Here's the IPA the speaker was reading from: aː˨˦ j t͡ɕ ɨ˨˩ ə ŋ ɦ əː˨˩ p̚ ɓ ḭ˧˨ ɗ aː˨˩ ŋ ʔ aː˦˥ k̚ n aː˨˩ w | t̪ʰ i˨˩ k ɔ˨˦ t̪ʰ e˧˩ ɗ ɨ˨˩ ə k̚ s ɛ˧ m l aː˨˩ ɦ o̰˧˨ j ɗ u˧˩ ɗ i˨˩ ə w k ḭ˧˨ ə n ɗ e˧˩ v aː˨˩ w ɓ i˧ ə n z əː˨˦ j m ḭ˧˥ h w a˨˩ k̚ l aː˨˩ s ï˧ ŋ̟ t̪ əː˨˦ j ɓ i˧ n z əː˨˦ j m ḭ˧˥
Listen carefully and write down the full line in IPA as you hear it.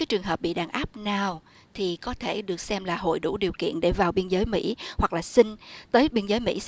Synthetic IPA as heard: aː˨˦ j t͡ɕ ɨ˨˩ ə ŋ ɦ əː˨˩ p̚ ɓ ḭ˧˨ ɗ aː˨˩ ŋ ʔ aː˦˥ p̚ n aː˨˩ w | t̪ʰ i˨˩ k ɔ˨˦ t̪ʰ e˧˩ ɗ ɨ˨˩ ə k̚ s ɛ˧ m l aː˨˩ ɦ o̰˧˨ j ɗ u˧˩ ɗ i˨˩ ə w k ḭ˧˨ ə n ɗ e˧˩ v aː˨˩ w ɓ i˧ ə n z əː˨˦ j m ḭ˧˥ h w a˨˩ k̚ l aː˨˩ s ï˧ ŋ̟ t̪ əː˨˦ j ɓ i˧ n z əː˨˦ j m ḭ˧˥